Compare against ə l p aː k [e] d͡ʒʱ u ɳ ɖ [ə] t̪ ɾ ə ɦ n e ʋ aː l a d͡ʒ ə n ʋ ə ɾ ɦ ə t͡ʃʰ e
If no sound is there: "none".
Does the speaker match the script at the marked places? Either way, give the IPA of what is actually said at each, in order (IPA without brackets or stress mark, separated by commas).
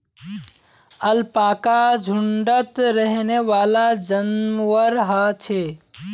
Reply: a, ə